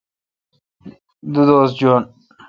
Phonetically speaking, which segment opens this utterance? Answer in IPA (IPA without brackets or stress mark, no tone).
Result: d̪